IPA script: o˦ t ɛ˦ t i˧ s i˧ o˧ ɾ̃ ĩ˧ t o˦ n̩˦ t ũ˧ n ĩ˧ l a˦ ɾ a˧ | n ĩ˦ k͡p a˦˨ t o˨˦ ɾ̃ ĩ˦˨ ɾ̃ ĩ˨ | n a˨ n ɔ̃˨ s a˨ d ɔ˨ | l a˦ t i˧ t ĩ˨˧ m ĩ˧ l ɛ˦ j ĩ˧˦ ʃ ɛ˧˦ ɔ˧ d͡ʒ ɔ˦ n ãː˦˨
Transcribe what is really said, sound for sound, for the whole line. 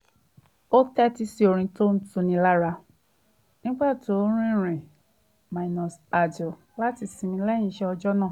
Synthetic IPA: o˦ t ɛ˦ t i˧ s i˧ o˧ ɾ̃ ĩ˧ t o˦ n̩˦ t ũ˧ n ĩ˧ l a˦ ɾ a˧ | n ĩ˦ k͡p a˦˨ t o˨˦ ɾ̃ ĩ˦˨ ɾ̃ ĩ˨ | m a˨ n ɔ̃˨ s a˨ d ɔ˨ | l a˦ t i˧ s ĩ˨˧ m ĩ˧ l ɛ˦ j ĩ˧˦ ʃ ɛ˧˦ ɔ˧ d͡ʒ ɔ˦ n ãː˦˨